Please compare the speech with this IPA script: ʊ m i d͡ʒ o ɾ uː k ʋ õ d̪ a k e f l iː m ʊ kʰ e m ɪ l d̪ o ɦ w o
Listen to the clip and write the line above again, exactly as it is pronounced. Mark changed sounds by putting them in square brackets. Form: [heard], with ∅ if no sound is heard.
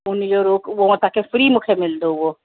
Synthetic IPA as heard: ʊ [n] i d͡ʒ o ɾ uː k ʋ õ [t̪] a k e f [ɾ] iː m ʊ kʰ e m ɪ l d̪ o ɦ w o